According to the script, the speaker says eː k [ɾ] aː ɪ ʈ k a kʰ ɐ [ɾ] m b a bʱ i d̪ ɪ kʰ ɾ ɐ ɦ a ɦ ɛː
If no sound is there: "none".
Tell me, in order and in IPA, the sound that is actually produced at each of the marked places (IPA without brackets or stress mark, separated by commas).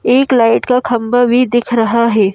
l, none